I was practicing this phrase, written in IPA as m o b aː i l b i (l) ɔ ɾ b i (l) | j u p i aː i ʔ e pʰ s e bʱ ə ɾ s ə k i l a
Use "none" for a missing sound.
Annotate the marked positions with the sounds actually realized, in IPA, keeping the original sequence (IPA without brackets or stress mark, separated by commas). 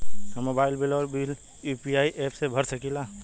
l, l